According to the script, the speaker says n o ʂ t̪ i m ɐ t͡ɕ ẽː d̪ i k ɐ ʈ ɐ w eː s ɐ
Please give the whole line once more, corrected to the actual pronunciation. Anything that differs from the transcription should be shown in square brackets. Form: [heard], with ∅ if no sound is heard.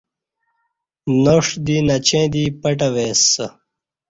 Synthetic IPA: n o ʂ [d̪] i [n] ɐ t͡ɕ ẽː d̪ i [p] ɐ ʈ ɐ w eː s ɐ